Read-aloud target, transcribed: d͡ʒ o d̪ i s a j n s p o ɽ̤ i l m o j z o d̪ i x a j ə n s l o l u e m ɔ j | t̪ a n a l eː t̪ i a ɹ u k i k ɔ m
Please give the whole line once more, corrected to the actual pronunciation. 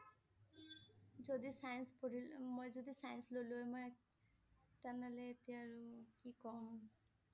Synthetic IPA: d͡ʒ o d̪ i s a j n s p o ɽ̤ i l m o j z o d̪ i s a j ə n s l o l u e m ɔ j | t̪ a n a l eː t̪ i a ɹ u k i k ɔ m

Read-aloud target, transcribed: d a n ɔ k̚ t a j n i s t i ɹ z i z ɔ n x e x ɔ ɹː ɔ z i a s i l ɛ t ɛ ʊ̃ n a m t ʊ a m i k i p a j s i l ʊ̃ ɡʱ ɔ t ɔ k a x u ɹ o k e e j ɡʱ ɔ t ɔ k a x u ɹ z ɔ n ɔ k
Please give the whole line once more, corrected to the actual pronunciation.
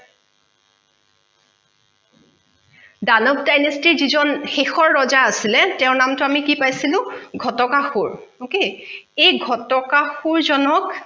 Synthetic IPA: d a n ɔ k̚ d a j n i s t i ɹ z i z ɔ n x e x ɔ ɹː ɔ z a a s i l ɛ t ɛ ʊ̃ n a m t ʊ a m i k i p a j s i l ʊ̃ ɡʱ ɔ t ɔ k a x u ɹ o k e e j ɡʱ ɔ t ɔ k a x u ɹ z ɔ n ɔ k

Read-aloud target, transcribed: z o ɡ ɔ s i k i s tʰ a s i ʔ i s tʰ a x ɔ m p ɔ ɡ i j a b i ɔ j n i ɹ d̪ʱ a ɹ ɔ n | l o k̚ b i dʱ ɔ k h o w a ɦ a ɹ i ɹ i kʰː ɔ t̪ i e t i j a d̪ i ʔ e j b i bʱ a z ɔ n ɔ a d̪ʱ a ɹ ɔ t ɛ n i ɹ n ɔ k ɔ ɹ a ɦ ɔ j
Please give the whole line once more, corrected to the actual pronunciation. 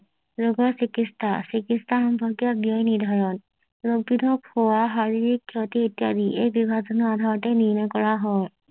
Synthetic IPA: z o ɡ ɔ s i k i s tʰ a s i k i s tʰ a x ɔ m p ɔ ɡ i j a b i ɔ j n i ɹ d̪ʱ a ɹ ɔ n | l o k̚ b i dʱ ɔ k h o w a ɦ a ɹ i ɹ i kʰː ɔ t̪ i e t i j a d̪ i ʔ e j b i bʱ a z ɔ n ɔ a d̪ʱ a ɹ ɔ t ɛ n i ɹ n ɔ k ɔ ɹ a ɦ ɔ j

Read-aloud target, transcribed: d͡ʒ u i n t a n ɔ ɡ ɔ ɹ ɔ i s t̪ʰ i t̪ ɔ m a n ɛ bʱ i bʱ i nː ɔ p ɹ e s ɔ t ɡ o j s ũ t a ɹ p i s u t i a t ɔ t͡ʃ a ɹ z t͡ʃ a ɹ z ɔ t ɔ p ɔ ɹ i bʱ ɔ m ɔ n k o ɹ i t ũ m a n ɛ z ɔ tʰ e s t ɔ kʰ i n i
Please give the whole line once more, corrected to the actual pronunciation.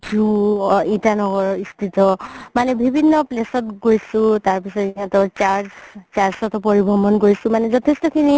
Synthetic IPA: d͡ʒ u i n t a n ɔ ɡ ɔ ɹ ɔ i s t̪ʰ i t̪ ɔ m a n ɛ bʱ i bʱ i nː ɔ p l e s ɔ t ɡ o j s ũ t a ɹ p i s ɔ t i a t ɔ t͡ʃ a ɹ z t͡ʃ a ɹ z ɔ t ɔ p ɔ ɹ i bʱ ɔ m ɔ n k o ɹ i s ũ m a n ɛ z ɔ tʰ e s t ɔ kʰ i n i

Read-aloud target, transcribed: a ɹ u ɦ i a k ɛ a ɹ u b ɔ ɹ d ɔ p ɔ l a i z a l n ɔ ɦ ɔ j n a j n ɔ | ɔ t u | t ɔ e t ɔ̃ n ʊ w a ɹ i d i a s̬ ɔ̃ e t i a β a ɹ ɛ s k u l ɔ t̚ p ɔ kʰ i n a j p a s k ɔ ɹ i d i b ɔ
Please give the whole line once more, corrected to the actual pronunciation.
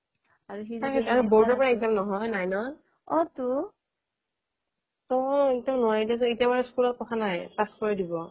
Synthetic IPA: a ɹ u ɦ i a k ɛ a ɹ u b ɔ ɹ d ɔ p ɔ ɹ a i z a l n ɔ ɦ ɔ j n a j n ɔ | ɔ t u | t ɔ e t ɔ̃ n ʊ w a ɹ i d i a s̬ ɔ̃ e t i a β a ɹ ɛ s k u l ɔ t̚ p ɔ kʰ a n a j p a s k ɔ ɹ i d i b ɔ

